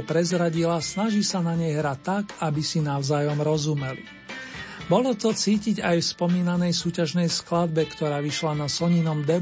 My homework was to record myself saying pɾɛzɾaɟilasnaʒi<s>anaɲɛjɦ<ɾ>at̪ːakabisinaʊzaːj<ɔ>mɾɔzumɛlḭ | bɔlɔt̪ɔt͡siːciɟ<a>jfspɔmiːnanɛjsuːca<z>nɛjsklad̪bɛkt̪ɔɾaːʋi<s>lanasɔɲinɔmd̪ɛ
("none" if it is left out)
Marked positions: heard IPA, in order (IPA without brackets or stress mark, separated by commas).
s, ɾ, ɔ, a, ʒ, ʃ